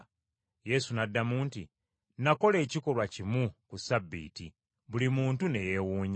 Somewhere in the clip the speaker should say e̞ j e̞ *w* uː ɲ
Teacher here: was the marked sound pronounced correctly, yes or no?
yes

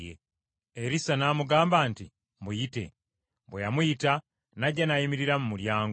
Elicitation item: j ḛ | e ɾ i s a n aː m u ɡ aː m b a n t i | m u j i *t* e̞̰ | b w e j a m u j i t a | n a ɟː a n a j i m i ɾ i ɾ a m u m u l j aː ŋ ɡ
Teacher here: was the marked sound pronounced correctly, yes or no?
yes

